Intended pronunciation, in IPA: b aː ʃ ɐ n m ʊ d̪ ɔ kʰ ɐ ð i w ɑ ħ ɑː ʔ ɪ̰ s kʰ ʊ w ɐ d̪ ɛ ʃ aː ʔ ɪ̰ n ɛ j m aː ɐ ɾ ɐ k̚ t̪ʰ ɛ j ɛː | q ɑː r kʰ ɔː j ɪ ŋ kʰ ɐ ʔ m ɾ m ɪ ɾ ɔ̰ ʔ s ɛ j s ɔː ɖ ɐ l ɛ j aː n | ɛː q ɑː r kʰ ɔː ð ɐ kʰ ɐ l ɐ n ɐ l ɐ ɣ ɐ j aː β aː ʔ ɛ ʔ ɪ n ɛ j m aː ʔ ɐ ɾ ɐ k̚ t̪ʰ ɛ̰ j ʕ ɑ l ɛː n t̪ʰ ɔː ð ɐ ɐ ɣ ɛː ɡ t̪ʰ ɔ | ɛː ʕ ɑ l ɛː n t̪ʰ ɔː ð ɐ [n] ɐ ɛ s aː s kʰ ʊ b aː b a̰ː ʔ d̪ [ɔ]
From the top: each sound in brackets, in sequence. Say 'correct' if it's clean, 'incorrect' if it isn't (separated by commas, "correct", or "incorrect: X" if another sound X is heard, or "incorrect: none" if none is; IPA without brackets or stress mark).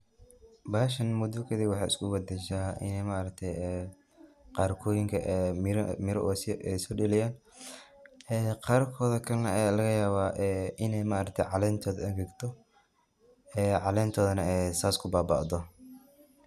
correct, correct